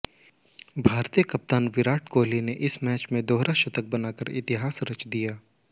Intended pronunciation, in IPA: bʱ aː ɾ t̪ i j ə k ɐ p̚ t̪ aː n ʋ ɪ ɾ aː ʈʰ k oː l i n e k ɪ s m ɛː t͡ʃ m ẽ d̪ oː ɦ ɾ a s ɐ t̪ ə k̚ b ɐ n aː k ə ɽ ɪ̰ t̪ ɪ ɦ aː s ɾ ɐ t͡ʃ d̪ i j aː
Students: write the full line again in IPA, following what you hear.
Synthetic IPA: bʱ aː ɾ t̪ i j ə k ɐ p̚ t̪ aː n ʋ ɪ ɾ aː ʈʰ k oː l i n e ʔ ɪ s m ɛː t͡ʃ m ẽ d̪ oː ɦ ɾ a ʃ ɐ t̪ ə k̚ b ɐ n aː k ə ɾ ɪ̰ t̪ ɪ ɦ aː s ɾ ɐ t͡ʃ d̪ i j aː